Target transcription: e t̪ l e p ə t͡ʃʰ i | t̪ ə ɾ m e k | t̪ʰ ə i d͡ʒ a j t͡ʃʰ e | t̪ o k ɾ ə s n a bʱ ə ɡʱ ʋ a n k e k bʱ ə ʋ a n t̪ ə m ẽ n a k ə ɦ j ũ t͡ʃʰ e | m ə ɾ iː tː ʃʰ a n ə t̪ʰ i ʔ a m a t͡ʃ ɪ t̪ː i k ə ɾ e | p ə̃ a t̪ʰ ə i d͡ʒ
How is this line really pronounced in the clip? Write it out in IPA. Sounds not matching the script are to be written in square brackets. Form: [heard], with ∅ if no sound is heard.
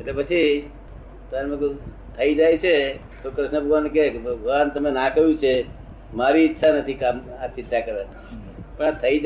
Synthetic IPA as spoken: e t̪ l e p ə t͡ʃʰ i | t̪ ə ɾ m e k | t̪ʰ ə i d͡ʒ a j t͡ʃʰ e | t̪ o k ɾ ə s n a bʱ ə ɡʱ ʋ a n k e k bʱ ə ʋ a n t̪ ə m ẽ n a k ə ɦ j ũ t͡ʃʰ e | m [a] ɾ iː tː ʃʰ a n ə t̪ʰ i [k] a m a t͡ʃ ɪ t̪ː [a] k ə ɾ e | p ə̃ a t̪ʰ ə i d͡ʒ